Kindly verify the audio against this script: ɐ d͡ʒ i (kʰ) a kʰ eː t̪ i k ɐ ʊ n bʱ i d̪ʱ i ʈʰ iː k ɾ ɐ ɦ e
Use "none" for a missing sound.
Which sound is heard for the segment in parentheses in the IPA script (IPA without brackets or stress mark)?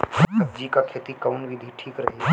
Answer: k